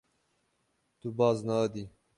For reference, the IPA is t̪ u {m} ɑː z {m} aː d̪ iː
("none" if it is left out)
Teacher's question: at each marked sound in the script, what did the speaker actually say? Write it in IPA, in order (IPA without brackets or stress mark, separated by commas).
b, n